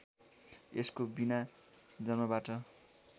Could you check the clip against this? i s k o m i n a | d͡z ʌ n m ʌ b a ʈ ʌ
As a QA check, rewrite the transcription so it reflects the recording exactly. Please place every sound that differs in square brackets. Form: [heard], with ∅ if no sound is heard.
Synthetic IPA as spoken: [e] s k o [b] i n a | d͡z ʌ n m ʌ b a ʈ ʌ